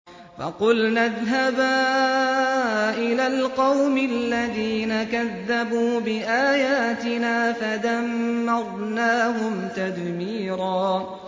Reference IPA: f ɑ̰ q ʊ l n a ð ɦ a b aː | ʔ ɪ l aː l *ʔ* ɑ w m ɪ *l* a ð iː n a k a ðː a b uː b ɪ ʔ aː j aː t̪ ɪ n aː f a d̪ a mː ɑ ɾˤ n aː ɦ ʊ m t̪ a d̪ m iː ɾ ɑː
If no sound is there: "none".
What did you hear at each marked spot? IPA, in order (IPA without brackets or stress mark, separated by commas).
q, lː